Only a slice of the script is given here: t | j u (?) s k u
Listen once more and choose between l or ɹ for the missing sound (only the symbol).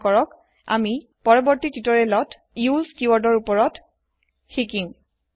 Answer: l